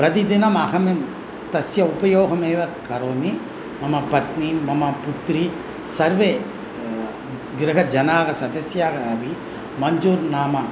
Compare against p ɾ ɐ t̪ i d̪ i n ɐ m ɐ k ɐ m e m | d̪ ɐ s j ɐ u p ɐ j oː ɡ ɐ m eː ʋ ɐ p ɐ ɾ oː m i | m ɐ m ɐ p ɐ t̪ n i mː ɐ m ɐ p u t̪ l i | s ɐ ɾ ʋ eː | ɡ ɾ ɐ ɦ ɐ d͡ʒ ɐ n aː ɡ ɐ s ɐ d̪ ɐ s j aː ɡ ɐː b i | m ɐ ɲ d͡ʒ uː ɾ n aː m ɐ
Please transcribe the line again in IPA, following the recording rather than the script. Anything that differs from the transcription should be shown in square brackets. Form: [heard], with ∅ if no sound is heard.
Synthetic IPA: p ɾ ɐ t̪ i d̪ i n ɐ m ɐ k ɐ m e m | [t̪] ɐ s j ɐ u p ɐ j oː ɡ ɐ m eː ʋ ɐ [k] ɐ ɾ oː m i | m ɐ m ɐ p ɐ t̪ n i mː ɐ m ɐ p u t̪ [ɾ] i | s ɐ ɾ ʋ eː | ɡ ɾ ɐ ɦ ɐ d͡ʒ ɐ n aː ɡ ɐ s ɐ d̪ ɐ s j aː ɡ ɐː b i | m ɐ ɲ d͡ʒ uː ɾ n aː m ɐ